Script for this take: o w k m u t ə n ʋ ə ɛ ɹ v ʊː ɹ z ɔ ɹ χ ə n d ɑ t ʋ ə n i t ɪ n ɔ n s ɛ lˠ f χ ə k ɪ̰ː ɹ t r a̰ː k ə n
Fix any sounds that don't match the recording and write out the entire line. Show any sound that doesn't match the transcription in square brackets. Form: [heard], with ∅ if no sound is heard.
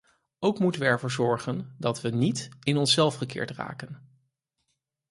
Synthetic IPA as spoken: o w k m u t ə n ʋ ə ɛ ɹ v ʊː ɹ z ɔ ɹ χ ə n d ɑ t ʋ ə n i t ɪ n ɔ n s ɛ lˠ f χ ə k ɪ̰ː ɹ t r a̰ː k ə n